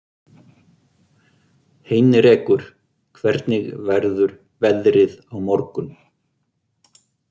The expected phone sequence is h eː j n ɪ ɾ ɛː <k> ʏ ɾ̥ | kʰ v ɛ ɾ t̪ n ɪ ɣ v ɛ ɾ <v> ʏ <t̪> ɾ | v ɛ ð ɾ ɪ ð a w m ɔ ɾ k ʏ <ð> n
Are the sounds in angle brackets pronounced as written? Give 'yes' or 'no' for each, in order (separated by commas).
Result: yes, no, no, no